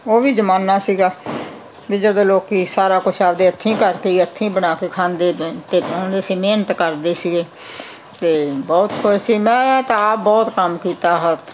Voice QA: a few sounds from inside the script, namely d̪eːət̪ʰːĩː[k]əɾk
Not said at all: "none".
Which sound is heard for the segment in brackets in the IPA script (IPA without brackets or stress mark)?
k